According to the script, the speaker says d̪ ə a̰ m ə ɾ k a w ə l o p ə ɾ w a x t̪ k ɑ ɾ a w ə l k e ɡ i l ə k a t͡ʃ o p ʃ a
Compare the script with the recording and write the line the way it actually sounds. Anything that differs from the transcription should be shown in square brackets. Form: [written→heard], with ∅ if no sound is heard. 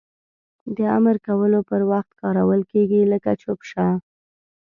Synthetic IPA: d̪ ə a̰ m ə ɾ k a w ə l o p ə ɾ w a x t̪ k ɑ ɾ a w ə l k e ɡ i l ə k a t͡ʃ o p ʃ a